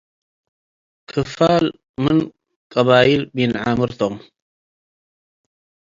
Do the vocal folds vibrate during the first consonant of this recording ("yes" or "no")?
no